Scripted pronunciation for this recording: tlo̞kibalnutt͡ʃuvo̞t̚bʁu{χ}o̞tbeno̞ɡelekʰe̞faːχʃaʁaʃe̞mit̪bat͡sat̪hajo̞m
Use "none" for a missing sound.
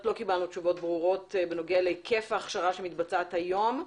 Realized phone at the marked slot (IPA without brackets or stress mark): ʁ